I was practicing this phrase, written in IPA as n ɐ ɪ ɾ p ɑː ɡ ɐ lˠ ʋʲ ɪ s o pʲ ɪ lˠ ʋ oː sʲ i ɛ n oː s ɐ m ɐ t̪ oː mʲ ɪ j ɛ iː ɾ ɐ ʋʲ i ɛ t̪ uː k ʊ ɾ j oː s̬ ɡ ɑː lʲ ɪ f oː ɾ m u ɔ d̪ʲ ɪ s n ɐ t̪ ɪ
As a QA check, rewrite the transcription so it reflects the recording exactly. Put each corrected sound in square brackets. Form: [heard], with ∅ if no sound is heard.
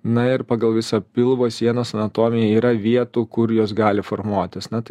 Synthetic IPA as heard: n ɐ ɪ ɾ p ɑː ɡ ɐ lˠ ʋʲ ɪ s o pʲ ɪ lˠ ʋ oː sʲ i ɛ n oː s ɐ [n] ɐ t̪ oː mʲ ɪ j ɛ iː ɾ ɐ ʋʲ i ɛ t̪ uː k ʊ ɾ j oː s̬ ɡ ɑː lʲ ɪ f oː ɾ m u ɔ [t̪ʲ] ɪ s n ɐ t̪ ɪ